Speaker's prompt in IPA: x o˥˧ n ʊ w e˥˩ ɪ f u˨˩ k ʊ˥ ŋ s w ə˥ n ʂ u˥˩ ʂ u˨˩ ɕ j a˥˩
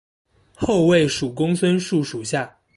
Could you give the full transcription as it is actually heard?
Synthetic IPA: x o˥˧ ʊ w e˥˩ ɪ ʂ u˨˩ k ʊ˥ ŋ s w ə˥ n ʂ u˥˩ ʂ u˨˩ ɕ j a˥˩